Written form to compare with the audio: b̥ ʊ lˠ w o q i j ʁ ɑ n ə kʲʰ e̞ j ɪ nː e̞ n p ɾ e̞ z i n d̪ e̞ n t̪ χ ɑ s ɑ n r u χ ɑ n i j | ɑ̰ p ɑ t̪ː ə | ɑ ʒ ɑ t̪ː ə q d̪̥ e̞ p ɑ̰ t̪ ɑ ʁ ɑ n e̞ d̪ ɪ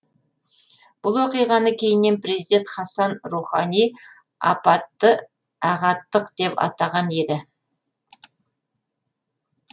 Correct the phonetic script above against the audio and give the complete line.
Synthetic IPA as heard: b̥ ʊ lˠ w o q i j ʁ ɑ n ə kʲʰ e̞ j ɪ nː e̞ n p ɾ e̞ z i d̪ e̞ n t̪ χ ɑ s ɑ n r u χ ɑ n i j | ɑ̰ p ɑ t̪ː ə | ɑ ʁ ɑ t̪ː ə q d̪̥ e̞ p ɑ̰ t̪ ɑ ʁ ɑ n e̞ d̪ ɪ

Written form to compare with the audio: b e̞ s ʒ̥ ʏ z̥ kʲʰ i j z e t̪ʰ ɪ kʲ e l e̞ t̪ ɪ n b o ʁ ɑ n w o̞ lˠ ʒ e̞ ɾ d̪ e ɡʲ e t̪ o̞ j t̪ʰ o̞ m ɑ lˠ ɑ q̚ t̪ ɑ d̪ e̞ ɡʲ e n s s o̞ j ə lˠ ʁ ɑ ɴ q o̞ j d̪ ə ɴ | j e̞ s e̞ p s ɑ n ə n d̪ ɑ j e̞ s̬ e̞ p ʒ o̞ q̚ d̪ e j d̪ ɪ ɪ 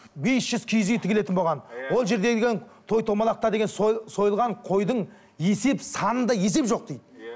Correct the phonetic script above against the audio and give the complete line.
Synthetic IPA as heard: b e̞ s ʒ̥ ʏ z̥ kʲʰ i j z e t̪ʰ ɪ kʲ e l e̞ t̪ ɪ n b o ʁ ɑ n w o̞ lˠ ʒ e̞ ɾ d̪ e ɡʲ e t̪ʰ o̞ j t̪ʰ o̞ m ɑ lˠ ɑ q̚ t̪ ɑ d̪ e̞ ɡʲ e n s s o̞ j ə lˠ ʁ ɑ ɴ qʰ o̞ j d̪ ə ɴ | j e̞ s e̞ p s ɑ n ə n d̪ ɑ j e̞ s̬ e̞ p ʒ o̞ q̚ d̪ e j d̪ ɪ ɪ

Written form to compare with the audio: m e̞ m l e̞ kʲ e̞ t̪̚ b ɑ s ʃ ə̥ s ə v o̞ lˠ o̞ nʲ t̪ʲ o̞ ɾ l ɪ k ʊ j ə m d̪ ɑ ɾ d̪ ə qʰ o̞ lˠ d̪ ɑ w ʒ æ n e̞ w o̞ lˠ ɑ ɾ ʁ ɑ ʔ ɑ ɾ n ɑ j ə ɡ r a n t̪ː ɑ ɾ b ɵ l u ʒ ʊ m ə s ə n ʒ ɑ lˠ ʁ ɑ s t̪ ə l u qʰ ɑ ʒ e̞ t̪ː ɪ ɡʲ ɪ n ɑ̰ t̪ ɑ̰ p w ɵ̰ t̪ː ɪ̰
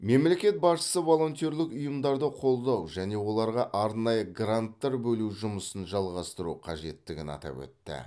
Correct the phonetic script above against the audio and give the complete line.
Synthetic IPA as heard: m e̞ m l e̞ kʲ e̞ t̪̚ b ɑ s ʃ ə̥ s ə v o̞ lˠ o̞ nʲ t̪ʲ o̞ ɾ l ɪ k ʊ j ə m d̪ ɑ ɾ d̪ ə qʰ o̞ lˠ d̪ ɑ w ʒ æ n e̞ w o̞ lˠ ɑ ɾ ʁ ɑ ʔ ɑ ɾ n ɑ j ə ɡ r a n t̪ː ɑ ɾ b ɵ l u ʒ ʊ m ə s ə n ʒ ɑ lˠ ʁ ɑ s t̪ ə ɾ u qʰ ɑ ʒ e̞ t̪ː ɪ ɡʲ ɪ n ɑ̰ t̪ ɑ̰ p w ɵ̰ t̪ː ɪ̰

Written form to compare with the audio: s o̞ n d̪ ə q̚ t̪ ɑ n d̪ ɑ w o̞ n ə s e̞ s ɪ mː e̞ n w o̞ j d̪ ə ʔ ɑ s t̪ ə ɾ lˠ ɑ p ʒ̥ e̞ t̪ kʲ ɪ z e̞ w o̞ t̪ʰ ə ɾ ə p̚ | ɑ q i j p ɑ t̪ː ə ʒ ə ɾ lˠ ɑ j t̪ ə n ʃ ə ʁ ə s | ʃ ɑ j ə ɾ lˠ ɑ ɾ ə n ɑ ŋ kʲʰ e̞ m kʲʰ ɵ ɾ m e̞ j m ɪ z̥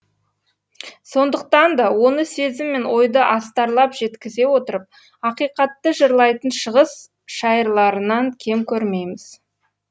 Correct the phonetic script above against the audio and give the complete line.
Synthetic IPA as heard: s o̞ n d̪ ə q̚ t̪ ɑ n d̪ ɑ w o̞ n ə s e̞ z ɪ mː e̞ n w o̞ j d̪ ə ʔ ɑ s t̪ ɑ ɾ lˠ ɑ p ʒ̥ e̞ t̪ kʲ ɪ z e̞ w o̞ t̪ ə ɾ ə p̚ | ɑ q i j q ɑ t̪ː ə ʒ ə ɾ lˠ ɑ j t̪ ə n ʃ ə ʁ ə s | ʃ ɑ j ə ɾ lˠ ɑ ɾ ə n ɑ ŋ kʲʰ e̞ m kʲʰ ɵ ɾ m e̞ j m ɪ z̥

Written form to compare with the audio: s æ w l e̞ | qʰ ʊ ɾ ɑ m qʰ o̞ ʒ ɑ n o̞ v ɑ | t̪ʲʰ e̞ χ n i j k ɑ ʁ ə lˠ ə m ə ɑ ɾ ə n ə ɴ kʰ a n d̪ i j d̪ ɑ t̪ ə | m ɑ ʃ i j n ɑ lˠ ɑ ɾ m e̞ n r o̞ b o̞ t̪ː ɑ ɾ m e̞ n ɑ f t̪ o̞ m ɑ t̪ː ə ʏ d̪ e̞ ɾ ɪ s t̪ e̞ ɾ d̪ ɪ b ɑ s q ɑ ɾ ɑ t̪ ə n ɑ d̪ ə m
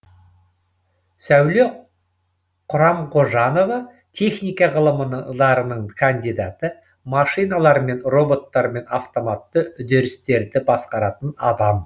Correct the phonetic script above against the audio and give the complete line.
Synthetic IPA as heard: s æ w l e̞ | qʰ ʊ ɾ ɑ m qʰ o̞ ʒ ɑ n o̞ v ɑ | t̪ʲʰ e̞ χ n i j k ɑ ʁ ə lˠ ə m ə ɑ ɾ ə n ə ɴ kʰ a n d̪ i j d̪ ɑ t̪ ə | m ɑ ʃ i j n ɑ lˠ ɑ ɾ m e̞ n r o̞ b o̞ t̪ː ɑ ɾ m e̞ n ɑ f t̪ o̞ m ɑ t̪ː ə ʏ d̪ e̞ ɾ ɪ s t̪ e̞ ɾ d̪ ɪ b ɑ s q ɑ ɾ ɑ t̪ ə n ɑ d̪ ɑ m

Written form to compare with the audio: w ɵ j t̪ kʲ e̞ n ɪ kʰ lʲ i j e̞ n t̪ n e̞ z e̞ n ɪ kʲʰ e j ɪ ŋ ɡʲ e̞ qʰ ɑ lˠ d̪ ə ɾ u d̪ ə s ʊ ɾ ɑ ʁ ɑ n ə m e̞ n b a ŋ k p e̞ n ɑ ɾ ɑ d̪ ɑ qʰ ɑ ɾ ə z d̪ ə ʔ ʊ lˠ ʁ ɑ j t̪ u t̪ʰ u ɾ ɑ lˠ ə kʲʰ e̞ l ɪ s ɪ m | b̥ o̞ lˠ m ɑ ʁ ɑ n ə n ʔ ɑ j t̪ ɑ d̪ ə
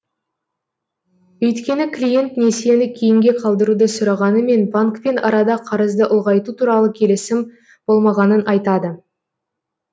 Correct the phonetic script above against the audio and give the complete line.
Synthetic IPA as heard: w ɵ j t̪ kʲ e̞ n ɪ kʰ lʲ i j e̞ n t̪ n e̞ s e̞ n ɪ kʲʰ e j ɪ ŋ ɡʲ e̞ qʰ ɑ lˠ d̪ ə ɾ u d̪ ə s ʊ ɾ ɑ ʁ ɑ n ə m e̞ n b a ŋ k p e̞ n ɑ ɾ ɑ d̪ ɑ qʰ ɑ ɾ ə z d̪ ə ʔ ʊ lˠ ʁ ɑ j t̪ u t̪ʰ u ɾ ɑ lˠ ə kʲʰ e̞ l ɪ s ɪ m | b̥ o̞ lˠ m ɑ ʁ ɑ n ə n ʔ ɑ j t̪ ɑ d̪ ə

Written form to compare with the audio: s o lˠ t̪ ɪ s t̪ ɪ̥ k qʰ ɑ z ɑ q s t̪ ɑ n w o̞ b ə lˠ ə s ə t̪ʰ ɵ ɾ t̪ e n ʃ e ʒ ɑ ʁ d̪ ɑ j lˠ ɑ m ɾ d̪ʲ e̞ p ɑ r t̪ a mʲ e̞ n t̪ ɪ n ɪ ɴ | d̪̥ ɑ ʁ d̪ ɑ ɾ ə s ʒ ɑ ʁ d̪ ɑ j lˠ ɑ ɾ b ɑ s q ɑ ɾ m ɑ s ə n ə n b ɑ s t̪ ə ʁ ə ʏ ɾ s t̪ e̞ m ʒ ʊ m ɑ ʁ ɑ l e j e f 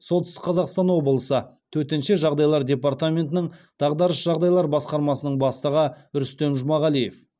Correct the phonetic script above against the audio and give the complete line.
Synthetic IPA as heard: s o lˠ t̪ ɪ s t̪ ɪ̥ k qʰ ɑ z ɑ q s t̪ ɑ n w o̞ b ə lˠ ə s ə t̪ʰ ɵ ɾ t̪ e n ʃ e ʒ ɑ ʁ d̪ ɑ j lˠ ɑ ɾ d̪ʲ e̞ p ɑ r t̪ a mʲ e̞ n t̪ ɪ n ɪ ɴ | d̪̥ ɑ ʁ d̪ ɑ ɾ ə s ʒ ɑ ʁ d̪ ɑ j lˠ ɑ ɾ b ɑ s q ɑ ɾ m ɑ s ə n ə ɴ b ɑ s t̪ ə ʁ ə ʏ ɾ s t̪ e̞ m ʒ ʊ m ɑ ʁ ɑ l i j e f

